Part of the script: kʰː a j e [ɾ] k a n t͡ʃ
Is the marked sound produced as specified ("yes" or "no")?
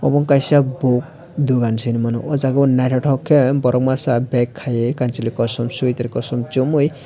no